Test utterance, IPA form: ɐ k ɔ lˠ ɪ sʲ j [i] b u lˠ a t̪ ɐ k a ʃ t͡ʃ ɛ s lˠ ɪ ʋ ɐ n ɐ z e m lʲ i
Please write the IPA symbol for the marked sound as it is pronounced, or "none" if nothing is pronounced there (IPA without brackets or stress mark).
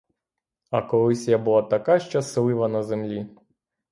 a